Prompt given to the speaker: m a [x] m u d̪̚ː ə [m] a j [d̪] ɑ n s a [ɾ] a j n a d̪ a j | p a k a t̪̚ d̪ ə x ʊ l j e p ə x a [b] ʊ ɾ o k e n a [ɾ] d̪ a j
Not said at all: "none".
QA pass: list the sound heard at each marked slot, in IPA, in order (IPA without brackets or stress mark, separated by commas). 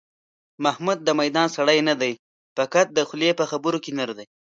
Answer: h, m, d̪, ɽ, b, ɾ